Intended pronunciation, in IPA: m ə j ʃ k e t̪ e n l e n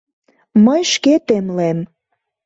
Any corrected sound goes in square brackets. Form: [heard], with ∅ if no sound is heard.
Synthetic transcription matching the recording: m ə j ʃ k e t̪ e [m] l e [m]